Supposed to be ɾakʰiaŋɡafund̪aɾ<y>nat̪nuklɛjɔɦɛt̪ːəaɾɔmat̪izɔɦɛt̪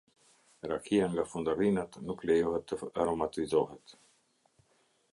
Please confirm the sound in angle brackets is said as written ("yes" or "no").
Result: no